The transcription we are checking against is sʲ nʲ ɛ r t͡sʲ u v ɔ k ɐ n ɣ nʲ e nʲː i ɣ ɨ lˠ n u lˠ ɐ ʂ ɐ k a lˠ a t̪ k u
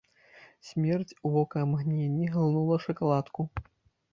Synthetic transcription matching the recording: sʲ mʲ ɛ r t͡sʲ u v ɔ k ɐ m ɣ nʲ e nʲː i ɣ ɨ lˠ n u lˠ ɐ ʂ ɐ k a lˠ a t̪ k u